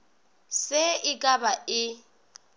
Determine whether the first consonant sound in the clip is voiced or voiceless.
voiceless